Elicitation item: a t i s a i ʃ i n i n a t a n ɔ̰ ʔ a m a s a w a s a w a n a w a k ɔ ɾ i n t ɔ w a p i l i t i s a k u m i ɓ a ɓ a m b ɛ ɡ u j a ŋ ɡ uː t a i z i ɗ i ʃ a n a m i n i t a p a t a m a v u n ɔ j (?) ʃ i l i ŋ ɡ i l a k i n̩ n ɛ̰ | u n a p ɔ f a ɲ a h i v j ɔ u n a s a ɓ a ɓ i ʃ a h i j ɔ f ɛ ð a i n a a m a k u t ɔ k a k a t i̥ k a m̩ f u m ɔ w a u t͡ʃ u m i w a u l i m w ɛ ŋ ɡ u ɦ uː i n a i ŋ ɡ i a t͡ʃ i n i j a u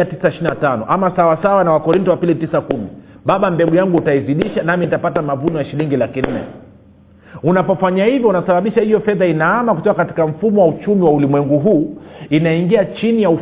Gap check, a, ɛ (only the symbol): a